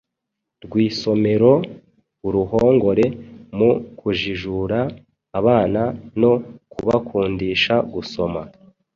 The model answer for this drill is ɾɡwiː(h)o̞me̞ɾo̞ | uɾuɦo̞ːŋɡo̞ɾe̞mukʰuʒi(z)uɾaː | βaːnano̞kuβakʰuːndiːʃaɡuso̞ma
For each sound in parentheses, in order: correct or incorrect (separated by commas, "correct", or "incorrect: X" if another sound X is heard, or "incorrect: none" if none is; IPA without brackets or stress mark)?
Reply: incorrect: s, incorrect: ʒ